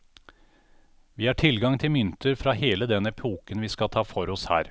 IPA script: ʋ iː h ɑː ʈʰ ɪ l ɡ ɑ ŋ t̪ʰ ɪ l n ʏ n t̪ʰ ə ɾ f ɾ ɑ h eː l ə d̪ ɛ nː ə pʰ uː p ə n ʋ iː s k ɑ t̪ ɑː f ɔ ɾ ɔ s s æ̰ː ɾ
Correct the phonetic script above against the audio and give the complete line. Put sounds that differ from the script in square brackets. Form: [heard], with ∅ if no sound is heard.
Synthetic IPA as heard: ʋ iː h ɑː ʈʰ ɪ l ɡ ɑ ŋ t̪ʰ ɪ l [m] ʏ n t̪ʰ ə ɾ f ɾ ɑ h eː l ə d̪ ɛ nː ə pʰ uː [k] ə n ʋ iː s k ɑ [t̪ʰ] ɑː f ɔ ɾ ɔ s [h] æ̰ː ɾ